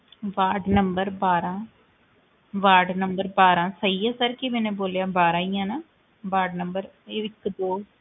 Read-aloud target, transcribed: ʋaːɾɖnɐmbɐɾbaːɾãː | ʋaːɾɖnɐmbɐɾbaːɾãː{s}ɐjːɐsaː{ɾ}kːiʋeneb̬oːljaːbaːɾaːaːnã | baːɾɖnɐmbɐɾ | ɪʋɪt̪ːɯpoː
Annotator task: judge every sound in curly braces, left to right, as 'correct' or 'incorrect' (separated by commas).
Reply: correct, correct